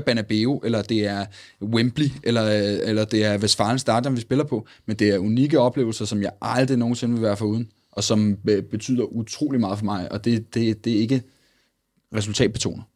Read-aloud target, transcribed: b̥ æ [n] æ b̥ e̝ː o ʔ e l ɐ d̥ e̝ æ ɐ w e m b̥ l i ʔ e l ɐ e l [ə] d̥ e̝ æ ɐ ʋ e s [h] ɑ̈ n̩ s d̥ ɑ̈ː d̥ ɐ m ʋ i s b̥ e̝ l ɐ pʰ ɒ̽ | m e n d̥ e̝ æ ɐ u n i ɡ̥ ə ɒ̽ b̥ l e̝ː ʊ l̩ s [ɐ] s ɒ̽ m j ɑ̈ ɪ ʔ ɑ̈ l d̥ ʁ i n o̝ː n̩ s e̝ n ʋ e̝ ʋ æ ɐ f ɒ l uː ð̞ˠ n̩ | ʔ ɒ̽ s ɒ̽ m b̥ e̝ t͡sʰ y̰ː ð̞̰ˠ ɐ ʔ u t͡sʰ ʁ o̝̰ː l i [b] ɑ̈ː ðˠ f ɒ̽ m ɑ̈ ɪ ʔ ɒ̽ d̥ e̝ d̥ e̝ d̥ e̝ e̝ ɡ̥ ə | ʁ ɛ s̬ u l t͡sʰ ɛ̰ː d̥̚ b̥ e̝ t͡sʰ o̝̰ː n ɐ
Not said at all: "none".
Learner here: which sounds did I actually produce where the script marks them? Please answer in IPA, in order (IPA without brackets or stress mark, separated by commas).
n, ɐ, f, ɐ, m